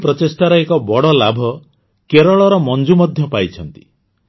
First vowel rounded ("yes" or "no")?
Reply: yes